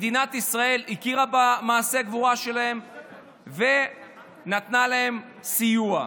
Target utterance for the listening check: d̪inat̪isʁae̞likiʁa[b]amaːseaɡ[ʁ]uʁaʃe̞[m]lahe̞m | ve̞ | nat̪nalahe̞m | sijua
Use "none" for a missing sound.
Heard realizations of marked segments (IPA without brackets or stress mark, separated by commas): b, v, none